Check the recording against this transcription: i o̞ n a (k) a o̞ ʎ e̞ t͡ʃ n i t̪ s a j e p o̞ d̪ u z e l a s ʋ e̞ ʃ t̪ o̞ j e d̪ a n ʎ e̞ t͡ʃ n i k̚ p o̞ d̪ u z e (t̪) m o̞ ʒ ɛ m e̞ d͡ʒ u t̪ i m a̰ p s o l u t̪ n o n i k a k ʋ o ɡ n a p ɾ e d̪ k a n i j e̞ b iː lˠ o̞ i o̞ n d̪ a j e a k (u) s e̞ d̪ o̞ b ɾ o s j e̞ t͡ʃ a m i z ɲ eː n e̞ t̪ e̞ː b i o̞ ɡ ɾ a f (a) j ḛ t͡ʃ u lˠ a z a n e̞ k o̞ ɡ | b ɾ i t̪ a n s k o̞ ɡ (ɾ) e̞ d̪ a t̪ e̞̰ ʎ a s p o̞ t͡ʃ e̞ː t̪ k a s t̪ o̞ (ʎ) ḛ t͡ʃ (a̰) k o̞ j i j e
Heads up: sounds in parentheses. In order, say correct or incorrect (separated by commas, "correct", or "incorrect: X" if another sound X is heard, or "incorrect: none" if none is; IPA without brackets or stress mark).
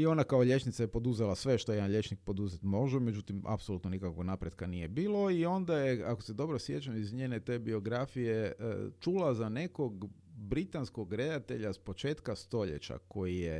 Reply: correct, correct, incorrect: o, incorrect: i, correct, correct, correct